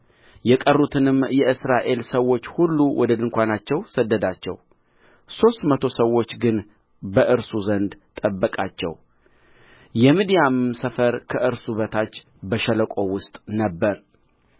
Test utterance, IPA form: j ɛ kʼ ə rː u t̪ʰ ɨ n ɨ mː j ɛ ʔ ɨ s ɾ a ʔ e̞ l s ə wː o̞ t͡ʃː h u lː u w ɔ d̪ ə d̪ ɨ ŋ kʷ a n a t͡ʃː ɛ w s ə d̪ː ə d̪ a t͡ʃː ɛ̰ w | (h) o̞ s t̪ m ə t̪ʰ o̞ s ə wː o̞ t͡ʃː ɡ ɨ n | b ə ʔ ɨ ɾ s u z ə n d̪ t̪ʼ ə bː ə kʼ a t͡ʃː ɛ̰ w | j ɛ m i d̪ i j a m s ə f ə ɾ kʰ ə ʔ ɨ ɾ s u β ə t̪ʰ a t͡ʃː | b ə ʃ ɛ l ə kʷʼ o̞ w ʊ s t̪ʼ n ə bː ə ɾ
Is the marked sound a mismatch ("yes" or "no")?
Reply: yes